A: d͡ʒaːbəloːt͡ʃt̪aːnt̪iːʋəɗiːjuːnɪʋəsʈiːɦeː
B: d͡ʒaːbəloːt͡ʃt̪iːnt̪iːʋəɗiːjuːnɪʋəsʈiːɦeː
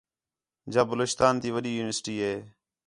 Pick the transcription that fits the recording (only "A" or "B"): A